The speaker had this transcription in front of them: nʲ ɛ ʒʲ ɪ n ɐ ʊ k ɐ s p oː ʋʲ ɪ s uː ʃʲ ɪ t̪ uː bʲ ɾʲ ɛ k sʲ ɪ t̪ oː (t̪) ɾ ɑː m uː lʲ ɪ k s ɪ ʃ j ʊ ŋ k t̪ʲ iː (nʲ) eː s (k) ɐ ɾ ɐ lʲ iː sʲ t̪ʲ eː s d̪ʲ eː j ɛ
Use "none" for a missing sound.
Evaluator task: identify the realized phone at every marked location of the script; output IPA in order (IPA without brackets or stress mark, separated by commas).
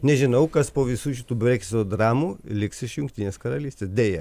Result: d̪, nʲ, k